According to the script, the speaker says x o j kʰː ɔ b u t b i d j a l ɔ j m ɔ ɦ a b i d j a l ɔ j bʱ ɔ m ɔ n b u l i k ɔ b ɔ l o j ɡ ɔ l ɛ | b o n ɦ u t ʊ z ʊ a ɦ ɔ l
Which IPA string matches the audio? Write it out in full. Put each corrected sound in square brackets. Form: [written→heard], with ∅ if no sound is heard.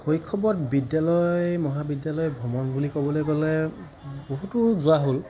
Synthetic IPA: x o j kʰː ɔ b [u→ɔ] t b i d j a l ɔ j m ɔ ɦ a b i d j a l ɔ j bʱ ɔ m ɔ n b u l i k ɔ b ɔ l o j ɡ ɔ l ɛ | b o [n→∅] ɦ u t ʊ z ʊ a ɦ [ɔ→o] l